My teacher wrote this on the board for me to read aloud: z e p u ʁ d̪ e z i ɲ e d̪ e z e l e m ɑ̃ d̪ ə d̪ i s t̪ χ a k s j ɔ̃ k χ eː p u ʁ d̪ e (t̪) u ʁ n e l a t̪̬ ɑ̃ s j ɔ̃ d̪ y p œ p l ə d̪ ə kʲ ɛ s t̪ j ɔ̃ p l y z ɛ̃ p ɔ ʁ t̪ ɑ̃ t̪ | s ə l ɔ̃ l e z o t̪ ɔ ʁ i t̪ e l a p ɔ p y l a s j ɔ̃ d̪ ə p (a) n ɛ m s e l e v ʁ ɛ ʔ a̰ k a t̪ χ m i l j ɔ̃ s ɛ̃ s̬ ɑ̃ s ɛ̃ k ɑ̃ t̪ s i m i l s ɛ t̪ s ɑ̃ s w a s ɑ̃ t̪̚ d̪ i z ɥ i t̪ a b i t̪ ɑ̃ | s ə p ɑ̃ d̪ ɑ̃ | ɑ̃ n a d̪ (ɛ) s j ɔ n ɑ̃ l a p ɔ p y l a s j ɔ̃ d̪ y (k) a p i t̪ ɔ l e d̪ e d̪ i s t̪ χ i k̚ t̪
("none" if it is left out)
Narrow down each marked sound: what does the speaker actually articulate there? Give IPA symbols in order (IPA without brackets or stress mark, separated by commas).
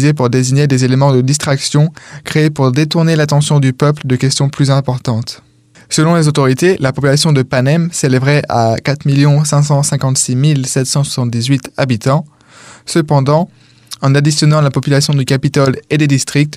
t̪, a, i, k